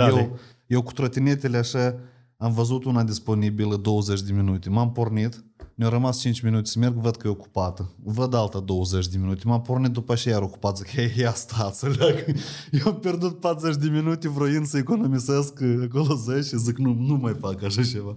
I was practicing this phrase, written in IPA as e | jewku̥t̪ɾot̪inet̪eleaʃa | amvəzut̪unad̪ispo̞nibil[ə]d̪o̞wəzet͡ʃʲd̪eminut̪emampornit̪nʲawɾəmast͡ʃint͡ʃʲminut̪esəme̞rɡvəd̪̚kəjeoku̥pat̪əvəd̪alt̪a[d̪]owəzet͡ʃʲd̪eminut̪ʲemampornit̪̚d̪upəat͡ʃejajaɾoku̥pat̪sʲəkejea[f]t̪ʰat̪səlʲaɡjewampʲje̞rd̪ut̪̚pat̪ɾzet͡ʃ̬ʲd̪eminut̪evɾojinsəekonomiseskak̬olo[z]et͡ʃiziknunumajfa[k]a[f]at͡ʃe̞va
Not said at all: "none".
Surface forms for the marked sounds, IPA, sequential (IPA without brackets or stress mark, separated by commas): ə, d̪, s, z, k, ʃ